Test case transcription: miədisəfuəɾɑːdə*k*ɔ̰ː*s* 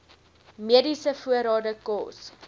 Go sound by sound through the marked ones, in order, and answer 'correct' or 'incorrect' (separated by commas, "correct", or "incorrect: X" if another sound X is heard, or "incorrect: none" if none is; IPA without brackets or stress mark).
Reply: correct, correct